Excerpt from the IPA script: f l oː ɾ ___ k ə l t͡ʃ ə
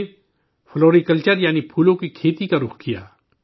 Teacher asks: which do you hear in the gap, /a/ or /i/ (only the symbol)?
i